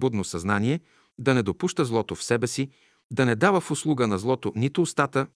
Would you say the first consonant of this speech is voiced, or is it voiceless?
voiced